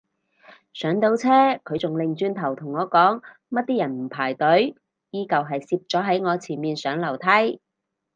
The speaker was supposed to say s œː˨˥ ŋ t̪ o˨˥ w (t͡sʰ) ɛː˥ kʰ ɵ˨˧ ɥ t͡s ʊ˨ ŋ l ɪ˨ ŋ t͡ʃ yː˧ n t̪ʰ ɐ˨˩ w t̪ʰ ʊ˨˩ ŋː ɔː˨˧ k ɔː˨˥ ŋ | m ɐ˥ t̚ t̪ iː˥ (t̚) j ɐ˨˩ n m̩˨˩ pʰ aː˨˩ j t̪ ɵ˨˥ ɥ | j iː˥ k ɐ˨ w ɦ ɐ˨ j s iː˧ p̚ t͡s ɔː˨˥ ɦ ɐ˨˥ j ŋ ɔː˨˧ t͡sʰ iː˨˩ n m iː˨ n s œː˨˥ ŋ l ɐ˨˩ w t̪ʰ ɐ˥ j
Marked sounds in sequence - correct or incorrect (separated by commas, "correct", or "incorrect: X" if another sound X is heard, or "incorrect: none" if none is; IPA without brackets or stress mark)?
correct, incorrect: none